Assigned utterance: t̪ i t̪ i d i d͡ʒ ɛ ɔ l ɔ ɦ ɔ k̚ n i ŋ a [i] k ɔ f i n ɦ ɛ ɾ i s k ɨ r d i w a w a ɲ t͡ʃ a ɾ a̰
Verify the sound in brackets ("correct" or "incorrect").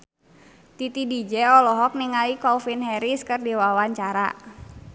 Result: correct